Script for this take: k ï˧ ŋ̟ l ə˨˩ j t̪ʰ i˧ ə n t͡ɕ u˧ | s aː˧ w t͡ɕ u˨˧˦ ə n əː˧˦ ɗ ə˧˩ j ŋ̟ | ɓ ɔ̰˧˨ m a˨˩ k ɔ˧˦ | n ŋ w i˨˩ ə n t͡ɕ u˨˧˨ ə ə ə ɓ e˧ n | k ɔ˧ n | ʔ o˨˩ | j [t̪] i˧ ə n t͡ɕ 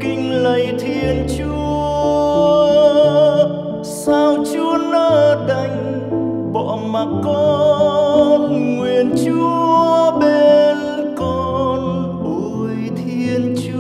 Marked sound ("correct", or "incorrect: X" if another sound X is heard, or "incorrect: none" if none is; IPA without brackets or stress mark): incorrect: t̪ʰ